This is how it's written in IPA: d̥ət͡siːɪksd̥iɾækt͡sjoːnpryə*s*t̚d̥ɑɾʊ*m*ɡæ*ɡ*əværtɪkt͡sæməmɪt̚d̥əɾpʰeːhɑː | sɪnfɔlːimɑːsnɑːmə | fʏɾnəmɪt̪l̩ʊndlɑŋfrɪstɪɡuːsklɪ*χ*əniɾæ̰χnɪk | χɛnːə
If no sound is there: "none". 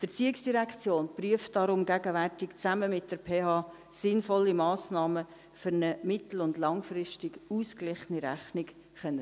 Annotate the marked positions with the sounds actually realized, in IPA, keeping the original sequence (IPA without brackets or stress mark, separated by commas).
f, m, ɡ, χ